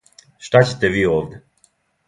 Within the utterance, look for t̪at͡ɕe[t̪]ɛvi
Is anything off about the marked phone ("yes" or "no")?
no